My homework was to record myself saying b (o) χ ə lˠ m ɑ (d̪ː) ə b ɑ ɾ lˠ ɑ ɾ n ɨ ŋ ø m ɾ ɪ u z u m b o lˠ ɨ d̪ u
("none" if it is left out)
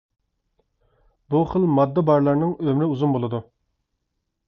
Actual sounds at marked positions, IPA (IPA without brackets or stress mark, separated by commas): u, d̪ː